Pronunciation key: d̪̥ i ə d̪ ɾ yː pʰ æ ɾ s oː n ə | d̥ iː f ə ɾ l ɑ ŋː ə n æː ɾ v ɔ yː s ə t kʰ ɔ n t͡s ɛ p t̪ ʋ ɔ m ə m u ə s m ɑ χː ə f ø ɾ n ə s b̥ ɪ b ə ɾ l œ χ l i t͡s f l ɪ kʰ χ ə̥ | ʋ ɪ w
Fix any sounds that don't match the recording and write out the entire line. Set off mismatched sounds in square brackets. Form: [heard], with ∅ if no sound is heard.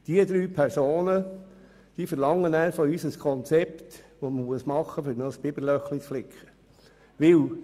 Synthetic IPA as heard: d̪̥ i ə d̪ ɾ yː pʰ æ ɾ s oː n ə | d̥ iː f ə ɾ l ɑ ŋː ə n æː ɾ [f] ɔ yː s ə [s] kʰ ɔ n t͡s ɛ p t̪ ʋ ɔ m ə m u ə s m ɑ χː ə f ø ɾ n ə s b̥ ɪ b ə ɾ l œ χ l i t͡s f l ɪ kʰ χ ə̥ | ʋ ɪ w

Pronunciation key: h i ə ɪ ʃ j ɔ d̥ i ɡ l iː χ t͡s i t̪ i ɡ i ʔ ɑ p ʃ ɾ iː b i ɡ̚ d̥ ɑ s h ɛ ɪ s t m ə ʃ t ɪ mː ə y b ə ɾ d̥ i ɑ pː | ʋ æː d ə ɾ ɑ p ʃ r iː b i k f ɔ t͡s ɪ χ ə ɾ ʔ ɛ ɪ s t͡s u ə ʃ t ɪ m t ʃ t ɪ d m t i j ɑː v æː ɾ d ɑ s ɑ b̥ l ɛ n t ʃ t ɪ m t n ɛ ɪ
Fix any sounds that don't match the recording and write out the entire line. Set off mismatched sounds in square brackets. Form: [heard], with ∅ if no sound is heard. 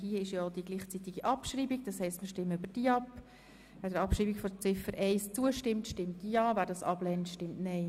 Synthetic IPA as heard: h i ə ɪ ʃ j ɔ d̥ i ɡ l iː χ t͡s i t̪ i ɡ i ʔ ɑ p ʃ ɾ iː b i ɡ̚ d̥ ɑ s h ɛ ɪ s t m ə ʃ t ɪ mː ə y b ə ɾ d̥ i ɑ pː | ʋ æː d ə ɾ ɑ p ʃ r iː b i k f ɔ t͡s ɪ [f] ə ɾ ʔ ɛ ɪ s t͡s u ə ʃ t ɪ m t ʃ t ɪ [∅] m t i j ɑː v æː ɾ d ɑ s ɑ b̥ l ɛ n t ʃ t ɪ m t n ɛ ɪ

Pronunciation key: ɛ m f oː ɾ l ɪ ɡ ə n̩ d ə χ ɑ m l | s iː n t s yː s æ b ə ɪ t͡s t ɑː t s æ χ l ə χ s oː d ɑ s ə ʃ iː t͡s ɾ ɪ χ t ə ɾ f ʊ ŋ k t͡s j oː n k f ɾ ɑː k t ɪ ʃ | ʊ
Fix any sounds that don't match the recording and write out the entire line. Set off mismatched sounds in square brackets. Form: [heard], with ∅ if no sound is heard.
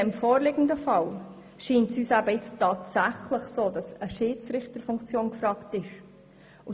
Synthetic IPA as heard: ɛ m f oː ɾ l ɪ ɡ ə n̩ d ə [f] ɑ [∅] l | [ʃ] iː n t s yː s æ b ə ɪ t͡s t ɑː t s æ χ l ə χ s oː d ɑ s ə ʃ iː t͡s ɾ ɪ χ t ə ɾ f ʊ ŋ k t͡s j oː n k f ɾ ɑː k t ɪ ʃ | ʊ

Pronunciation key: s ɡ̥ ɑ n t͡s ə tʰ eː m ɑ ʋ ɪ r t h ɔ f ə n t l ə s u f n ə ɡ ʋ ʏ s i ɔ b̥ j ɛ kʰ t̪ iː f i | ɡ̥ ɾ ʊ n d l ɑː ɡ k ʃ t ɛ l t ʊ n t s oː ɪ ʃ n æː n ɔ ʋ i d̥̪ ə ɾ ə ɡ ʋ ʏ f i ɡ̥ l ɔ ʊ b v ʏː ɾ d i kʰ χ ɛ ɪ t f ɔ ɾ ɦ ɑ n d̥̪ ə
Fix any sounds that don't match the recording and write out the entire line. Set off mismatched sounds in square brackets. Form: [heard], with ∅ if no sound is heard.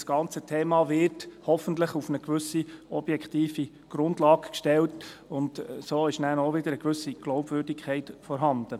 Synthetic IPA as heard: s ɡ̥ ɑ n t͡s ə tʰ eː m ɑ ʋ ɪ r t h ɔ f ə n t l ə [χ] u f n ə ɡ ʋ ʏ s i ɔ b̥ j ɛ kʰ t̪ iː f i | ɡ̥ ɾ ʊ n d l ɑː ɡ k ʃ t ɛ l t ʊ n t s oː ɪ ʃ n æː n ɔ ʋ [ɪ] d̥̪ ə ɾ ə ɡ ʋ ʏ [s] i ɡ̥ l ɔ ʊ b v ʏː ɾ d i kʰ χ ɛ ɪ t f ɔ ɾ ɦ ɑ n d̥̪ ə

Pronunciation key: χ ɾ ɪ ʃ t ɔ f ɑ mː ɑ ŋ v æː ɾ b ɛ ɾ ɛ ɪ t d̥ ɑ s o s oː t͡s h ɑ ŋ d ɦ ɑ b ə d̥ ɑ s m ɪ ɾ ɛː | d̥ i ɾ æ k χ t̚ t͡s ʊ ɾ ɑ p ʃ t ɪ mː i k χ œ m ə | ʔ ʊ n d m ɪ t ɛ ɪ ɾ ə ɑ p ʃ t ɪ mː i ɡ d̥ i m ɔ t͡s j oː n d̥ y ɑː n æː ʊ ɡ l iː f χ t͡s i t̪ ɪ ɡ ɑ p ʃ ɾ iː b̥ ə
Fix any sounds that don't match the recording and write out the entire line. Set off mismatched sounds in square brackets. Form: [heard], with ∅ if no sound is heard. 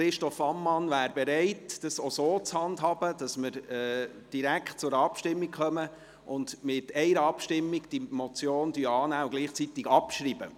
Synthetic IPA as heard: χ ɾ ɪ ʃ t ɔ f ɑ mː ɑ [n] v æː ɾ b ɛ ɾ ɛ ɪ t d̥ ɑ s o s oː t͡s h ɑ [n] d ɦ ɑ b ə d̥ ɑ s m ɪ ɾ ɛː | d̥ i ɾ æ k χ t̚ t͡s ʊ ɾ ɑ p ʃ t ɪ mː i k χ œ m ə | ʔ ʊ n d m ɪ t ɛ ɪ ɾ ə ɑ p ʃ t ɪ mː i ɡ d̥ i m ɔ t͡s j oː n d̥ y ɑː n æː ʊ ɡ l iː [∅] χ t͡s i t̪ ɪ ɡ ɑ p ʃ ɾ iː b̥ ə

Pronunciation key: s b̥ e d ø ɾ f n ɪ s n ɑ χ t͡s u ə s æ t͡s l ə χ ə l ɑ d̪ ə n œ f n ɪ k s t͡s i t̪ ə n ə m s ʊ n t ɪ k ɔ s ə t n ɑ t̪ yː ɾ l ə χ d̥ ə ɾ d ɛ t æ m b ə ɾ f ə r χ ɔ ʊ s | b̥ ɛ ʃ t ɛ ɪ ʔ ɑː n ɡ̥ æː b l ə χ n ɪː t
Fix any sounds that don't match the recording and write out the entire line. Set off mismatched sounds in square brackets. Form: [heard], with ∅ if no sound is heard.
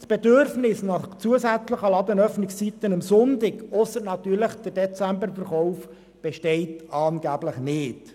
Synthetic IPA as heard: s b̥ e d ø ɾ f n ɪ s n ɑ χ t͡s u ə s æ t͡s l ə χ ə l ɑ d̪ ə n œ f n ɪ k s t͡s i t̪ ə n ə m s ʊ n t ɪ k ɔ s ə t n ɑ t̪ yː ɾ l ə χ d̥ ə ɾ d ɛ [t͡s] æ m b ə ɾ f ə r χ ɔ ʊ [f] | b̥ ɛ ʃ t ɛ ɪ [t] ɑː n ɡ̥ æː b l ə χ n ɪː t

